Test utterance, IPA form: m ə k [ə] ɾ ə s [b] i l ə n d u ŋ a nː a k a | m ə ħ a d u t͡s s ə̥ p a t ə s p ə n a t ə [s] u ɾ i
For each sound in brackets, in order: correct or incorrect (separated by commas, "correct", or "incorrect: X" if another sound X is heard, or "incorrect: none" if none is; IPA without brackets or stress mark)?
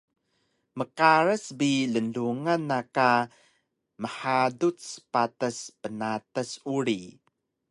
incorrect: a, correct, correct